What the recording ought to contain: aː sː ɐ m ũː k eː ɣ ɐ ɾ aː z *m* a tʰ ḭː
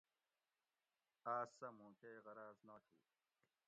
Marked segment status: incorrect: n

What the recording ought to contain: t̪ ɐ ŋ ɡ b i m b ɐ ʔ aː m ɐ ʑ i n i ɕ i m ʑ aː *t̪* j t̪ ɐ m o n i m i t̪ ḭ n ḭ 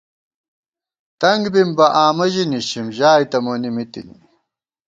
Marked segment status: incorrect: none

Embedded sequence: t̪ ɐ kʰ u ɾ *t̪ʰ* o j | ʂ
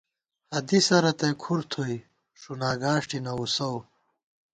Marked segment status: correct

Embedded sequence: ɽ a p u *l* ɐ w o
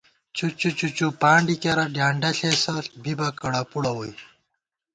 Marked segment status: incorrect: ɽ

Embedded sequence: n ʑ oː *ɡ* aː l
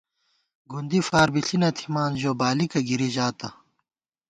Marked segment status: incorrect: b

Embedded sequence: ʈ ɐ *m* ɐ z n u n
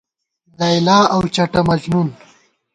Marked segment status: correct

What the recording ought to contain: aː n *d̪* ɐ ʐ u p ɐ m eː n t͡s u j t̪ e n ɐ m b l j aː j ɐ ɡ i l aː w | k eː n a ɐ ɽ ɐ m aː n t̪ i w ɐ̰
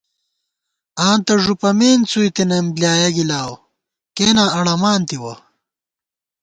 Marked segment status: incorrect: t̪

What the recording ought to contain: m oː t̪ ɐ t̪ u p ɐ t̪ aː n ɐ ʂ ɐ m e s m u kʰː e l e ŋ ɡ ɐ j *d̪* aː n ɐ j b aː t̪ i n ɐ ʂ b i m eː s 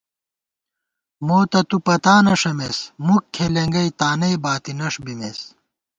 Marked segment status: incorrect: t̪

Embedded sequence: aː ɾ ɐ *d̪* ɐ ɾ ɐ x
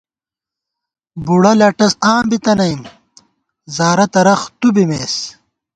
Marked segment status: incorrect: t̪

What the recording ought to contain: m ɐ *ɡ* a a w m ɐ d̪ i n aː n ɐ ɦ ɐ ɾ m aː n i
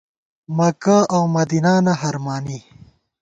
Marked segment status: incorrect: k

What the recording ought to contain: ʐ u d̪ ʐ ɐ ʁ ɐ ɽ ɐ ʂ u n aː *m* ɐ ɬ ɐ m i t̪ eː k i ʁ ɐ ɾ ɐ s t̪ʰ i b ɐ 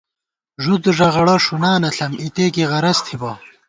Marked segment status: incorrect: n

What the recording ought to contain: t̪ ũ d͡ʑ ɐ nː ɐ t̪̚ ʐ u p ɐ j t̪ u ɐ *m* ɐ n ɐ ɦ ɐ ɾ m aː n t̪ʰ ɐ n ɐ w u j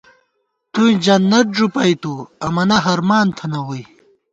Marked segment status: correct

